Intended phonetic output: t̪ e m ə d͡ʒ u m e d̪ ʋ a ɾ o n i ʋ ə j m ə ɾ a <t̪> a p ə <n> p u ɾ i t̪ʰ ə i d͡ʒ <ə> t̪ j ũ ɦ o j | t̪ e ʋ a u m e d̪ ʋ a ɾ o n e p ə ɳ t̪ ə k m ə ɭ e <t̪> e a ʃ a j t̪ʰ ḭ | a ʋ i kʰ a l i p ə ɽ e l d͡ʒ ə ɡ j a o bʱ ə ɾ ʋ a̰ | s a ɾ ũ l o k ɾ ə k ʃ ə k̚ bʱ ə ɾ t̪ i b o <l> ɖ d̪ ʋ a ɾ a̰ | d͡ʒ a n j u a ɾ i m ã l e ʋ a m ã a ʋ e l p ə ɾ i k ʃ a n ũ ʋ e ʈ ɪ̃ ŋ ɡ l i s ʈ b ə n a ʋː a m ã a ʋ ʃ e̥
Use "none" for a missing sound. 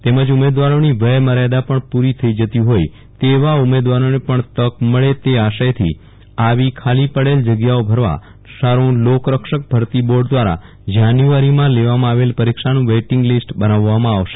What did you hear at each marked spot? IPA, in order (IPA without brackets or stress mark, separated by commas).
d̪, ɳ, ə, t̪, ɾ